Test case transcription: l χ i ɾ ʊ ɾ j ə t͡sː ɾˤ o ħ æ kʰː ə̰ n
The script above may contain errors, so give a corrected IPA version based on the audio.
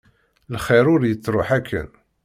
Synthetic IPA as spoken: l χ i ɾ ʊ ɾ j ə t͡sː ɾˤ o ħ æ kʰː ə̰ n